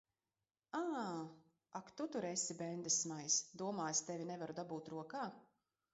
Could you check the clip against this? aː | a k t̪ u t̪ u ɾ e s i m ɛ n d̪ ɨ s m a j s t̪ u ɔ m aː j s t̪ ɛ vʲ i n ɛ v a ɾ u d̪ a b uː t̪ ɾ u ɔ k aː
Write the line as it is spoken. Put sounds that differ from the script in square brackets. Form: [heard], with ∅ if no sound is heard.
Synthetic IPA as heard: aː | a k t̪ u t̪ u ɾ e s i [b] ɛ n d̪ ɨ s m a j s [d̪] u ɔ m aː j s t̪ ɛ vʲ i n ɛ v a ɾ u d̪ a b uː t̪ ɾ u ɔ k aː